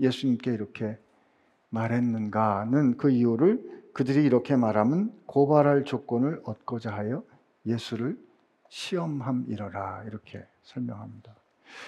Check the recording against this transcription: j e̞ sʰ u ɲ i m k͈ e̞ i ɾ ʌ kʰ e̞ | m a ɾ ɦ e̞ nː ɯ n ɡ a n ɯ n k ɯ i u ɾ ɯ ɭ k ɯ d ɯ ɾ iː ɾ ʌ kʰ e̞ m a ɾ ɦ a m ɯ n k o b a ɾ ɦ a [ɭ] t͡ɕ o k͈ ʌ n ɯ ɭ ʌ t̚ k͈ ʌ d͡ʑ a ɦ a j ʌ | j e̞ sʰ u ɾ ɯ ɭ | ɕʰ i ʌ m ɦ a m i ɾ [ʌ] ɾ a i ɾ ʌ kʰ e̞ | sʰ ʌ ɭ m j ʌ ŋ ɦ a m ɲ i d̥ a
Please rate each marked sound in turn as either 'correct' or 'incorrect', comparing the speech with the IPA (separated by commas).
correct, correct